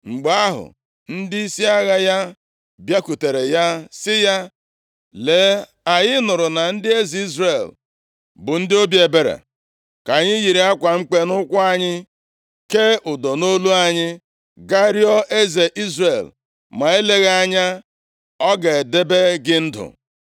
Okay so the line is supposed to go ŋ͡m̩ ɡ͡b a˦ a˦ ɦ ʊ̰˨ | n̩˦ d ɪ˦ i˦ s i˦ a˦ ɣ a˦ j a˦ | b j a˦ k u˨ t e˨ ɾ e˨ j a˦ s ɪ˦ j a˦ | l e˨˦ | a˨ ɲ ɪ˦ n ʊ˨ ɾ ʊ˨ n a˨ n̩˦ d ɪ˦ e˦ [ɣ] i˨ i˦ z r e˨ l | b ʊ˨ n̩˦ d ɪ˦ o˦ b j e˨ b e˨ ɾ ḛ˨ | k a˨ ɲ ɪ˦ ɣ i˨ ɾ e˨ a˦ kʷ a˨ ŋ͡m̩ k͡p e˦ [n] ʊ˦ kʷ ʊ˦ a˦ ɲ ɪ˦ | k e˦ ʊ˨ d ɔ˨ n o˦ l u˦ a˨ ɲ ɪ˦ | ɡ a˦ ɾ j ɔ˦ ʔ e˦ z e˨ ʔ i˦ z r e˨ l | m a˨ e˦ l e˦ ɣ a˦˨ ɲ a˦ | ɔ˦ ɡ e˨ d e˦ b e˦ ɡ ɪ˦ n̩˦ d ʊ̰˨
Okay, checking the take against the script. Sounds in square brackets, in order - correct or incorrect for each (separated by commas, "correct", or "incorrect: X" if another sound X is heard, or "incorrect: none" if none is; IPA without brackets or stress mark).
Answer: incorrect: z, correct